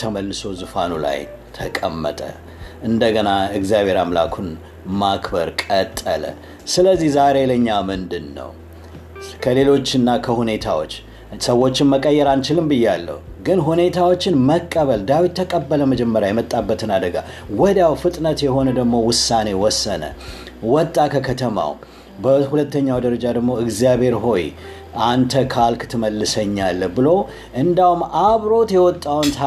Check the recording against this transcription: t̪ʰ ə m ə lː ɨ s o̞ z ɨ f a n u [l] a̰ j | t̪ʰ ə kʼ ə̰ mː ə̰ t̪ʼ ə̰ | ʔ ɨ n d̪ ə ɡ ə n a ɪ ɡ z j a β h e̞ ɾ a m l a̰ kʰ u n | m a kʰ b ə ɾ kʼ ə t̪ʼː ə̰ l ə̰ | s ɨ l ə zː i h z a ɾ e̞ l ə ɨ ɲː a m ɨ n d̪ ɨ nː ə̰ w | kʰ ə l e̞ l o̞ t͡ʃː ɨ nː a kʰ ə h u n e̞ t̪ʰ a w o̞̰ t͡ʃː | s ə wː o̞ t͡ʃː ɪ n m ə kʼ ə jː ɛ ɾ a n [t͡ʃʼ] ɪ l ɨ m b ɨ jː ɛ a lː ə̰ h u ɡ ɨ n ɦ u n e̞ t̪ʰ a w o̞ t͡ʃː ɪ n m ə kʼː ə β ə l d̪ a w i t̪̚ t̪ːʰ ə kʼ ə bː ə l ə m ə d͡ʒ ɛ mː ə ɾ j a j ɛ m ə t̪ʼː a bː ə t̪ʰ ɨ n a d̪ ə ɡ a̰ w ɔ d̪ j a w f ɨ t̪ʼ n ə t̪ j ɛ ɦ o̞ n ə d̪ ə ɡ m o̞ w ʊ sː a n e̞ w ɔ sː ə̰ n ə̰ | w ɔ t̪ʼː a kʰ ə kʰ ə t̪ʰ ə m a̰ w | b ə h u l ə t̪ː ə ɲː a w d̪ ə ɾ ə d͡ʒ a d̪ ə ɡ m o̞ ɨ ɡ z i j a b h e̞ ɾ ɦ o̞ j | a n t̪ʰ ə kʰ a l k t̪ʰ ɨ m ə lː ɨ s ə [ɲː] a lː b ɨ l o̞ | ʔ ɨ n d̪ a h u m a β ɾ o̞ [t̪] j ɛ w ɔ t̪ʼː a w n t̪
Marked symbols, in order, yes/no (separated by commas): yes, no, yes, yes